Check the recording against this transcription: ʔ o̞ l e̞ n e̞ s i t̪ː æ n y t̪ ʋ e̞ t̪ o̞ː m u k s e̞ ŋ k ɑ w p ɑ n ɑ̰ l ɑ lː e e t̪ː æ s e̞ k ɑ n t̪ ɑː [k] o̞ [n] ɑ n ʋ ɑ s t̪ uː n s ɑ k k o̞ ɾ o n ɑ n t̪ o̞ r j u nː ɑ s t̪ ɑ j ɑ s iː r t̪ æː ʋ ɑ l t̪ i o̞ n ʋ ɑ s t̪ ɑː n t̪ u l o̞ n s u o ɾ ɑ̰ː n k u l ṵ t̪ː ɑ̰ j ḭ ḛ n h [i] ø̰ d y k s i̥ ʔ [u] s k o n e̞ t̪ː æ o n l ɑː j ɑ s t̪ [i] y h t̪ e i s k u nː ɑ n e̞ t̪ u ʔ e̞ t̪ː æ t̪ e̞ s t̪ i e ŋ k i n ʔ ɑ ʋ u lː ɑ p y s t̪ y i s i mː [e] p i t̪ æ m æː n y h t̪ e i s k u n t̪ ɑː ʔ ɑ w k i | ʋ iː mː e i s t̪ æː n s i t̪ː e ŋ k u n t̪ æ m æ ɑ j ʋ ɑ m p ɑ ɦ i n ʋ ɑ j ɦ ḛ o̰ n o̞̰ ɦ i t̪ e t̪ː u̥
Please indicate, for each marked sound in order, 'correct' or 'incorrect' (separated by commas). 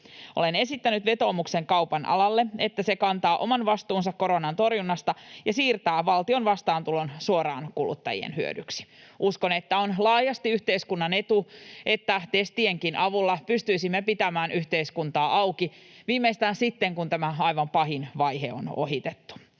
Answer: incorrect, incorrect, incorrect, correct, correct, correct